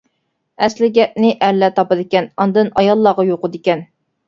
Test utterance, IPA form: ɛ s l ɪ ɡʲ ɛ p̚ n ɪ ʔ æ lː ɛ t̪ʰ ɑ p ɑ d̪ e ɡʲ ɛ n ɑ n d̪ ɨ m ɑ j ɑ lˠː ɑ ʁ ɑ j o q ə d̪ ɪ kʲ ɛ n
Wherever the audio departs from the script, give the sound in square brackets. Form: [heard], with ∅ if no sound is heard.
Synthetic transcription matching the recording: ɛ s l ɪ ɡʲ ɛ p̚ n ɪ ʔ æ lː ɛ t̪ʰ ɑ p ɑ d̪ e [kʲ] ɛ n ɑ n d̪ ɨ [n] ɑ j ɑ lˠː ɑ ʁ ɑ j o q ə d̪ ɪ kʲ ɛ n